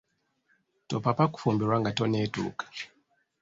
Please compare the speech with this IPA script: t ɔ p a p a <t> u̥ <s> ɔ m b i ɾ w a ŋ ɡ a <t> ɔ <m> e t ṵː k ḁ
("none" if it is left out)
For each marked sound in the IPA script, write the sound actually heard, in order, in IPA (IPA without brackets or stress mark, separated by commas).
k, f, t, n